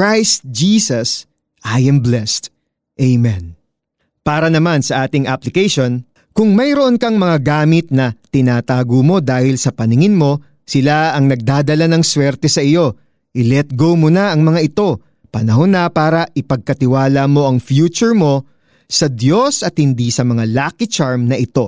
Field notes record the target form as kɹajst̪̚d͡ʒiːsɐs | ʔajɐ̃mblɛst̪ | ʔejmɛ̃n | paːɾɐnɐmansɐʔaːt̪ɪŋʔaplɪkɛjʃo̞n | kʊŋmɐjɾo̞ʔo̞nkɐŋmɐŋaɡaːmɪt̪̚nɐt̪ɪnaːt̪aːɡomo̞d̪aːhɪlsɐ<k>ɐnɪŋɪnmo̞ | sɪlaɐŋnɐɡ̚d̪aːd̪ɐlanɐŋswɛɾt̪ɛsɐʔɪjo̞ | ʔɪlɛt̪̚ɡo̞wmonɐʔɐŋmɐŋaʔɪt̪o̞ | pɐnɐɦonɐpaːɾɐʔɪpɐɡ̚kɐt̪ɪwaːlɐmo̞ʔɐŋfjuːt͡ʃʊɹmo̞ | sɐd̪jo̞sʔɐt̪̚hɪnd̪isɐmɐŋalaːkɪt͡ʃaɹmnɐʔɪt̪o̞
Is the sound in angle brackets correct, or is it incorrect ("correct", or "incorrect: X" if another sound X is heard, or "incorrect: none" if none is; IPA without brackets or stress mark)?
incorrect: p